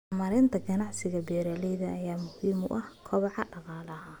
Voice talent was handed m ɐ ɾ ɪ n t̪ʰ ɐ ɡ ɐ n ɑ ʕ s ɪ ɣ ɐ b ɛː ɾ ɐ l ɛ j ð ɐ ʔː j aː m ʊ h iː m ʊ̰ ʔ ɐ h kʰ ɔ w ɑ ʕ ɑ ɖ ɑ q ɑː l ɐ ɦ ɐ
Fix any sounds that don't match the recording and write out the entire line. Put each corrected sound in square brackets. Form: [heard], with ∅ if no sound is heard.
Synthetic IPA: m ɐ ɾ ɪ n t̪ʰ ɐ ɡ ɐ n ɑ ʕ s ɪ ɣ ɐ b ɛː ɾ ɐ l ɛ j ð ɐ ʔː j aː m ʊ h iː m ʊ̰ ʔ ɐ h kʰ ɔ [β] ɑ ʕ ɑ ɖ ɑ q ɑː l ɐ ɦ ɐ